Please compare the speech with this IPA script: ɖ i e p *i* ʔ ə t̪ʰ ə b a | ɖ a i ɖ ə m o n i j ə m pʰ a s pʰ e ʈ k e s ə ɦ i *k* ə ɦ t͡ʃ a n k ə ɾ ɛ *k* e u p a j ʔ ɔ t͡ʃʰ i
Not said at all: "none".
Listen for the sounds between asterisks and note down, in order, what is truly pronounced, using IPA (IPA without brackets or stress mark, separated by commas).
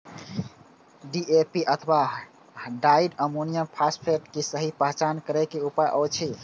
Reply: i, p, k